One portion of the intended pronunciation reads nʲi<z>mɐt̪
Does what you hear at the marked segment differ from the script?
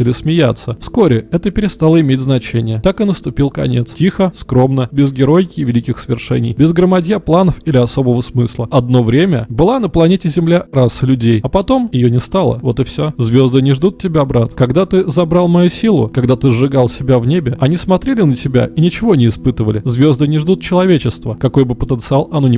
yes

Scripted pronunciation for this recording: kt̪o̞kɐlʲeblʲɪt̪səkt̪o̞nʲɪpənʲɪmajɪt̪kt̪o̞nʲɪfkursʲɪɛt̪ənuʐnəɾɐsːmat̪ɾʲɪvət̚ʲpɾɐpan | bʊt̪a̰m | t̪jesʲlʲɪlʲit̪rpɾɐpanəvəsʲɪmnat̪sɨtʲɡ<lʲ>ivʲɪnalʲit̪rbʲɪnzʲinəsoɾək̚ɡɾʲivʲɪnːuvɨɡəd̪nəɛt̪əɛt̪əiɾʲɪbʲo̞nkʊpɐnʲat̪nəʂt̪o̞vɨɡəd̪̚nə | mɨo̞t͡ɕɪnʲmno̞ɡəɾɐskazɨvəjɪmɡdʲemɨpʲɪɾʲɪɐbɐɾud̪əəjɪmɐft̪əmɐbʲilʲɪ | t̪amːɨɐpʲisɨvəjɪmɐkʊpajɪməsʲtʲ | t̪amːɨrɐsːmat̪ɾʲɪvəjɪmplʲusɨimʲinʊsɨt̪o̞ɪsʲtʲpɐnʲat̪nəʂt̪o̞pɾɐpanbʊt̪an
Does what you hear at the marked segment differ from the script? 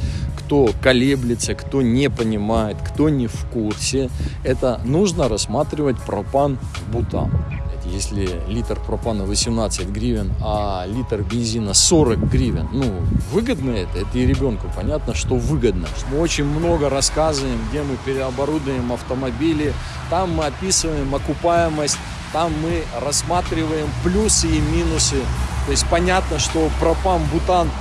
yes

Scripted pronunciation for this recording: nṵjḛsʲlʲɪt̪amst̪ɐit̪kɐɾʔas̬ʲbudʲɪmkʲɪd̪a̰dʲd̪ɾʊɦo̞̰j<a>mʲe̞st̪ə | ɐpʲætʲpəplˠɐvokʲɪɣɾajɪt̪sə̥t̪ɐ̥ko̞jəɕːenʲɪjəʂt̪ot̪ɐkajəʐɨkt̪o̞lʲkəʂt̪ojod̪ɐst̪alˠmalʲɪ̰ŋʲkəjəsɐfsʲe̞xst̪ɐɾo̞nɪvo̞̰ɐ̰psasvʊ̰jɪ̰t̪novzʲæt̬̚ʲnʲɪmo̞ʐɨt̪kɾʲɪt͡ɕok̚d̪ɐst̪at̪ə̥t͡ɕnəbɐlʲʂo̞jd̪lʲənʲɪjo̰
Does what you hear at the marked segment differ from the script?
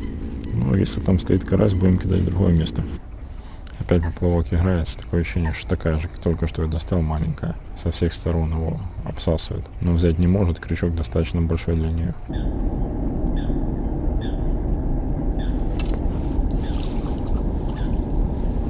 yes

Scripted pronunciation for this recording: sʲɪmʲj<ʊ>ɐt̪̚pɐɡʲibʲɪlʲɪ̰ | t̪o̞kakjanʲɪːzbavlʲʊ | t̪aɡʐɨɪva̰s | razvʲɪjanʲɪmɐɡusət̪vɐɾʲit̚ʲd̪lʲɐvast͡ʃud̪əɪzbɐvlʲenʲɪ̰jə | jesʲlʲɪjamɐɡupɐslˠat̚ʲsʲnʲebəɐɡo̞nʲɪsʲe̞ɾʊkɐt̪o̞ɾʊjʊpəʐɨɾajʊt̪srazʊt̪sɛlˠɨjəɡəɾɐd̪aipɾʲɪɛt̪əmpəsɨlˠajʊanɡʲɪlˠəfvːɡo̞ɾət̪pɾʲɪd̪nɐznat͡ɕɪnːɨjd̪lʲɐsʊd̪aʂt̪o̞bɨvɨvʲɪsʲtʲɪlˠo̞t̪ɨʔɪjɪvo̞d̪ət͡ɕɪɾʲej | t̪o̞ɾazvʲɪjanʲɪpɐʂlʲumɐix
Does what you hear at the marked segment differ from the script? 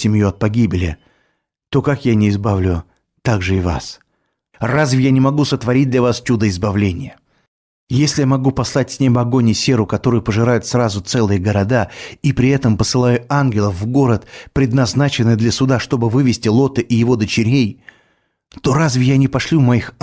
yes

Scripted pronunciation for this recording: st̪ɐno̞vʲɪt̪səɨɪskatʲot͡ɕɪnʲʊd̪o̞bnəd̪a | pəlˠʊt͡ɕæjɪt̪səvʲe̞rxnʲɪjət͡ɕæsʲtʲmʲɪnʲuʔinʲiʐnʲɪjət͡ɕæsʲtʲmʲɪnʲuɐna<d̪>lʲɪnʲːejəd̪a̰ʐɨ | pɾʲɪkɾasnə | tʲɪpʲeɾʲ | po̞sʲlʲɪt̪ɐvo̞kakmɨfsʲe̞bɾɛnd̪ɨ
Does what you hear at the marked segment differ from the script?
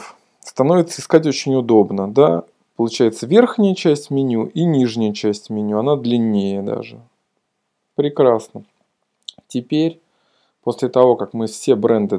no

